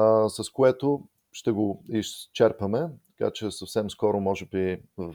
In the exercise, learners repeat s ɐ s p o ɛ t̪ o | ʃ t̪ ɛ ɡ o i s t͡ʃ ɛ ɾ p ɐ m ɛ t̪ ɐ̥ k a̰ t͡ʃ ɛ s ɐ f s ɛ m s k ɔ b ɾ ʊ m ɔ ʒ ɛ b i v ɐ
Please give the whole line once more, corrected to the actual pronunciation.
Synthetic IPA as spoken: s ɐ s k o ɛ t̪ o | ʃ t̪ ɛ ɡ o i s t͡ʃ ɛ ɾ p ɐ m ɛ t̪ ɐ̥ k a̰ t͡ʃ ɛ s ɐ f s ɛ m s k ɔ ɾ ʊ m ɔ ʒ ɛ b i v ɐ